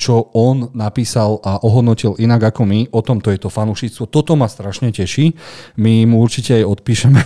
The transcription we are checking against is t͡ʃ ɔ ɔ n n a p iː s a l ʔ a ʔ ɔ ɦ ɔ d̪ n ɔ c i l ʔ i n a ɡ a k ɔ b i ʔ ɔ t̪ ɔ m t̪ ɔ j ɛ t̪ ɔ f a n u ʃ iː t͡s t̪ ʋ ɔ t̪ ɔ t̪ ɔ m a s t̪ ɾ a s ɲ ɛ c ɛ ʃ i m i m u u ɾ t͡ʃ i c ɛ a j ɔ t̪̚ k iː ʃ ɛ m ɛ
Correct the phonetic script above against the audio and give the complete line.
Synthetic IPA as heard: t͡ʃ ɔ ɔ n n a p iː s a l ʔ a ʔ ɔ ɦ ɔ d̪ n ɔ c i l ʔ i n a ɡ a k ɔ m i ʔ ɔ t̪ ɔ m t̪ ɔ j ɛ t̪ ɔ f a n u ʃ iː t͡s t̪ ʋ ɔ t̪ ɔ t̪ ɔ m a s t̪ ɾ a ʃ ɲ ɛ c ɛ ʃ i m i m u u ɾ t͡ʃ i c ɛ a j ɔ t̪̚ p iː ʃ ɛ m ɛ